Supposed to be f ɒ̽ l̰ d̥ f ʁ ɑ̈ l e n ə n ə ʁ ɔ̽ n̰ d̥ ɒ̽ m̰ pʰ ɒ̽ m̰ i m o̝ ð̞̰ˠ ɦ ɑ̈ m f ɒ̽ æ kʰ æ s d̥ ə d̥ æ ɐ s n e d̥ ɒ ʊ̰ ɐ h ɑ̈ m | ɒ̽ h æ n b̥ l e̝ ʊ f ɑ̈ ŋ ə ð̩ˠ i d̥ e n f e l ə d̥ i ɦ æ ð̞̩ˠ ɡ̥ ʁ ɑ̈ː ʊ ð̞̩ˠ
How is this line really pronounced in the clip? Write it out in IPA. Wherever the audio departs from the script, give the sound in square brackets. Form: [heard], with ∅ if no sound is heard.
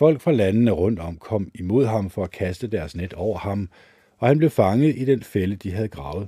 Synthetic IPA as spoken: f ɒ̽ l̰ [ɡ̥] f ʁ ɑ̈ l [æ] n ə n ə ʁ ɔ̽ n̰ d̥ ɒ̽ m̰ [kʰ] ɒ̽ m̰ i m o̝ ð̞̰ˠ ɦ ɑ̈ m f ɒ̽ æ kʰ æ s d̥ ə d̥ æ ɐ s n e d̥ ɒ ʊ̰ ɐ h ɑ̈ m | ɒ̽ h æ n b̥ l e̝ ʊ f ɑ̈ ŋ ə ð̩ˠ i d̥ e n f e l ə d̥ i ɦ æ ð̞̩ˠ ɡ̥ ʁ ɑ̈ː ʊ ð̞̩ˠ